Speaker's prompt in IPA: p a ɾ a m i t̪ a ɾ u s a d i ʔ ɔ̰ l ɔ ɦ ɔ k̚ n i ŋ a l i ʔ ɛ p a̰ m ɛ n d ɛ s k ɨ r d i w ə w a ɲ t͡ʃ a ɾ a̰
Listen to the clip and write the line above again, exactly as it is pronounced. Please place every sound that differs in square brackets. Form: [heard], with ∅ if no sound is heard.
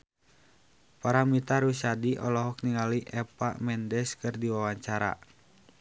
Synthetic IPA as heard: p a ɾ a m i t̪ a ɾ u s a d i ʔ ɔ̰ l ɔ ɦ ɔ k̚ n i ŋ a l i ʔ ɛ p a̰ m ɛ n d ɛ s k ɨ r d i w [a] w a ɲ t͡ʃ a ɾ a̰